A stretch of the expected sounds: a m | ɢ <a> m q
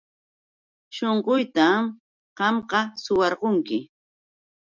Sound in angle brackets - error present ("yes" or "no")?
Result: yes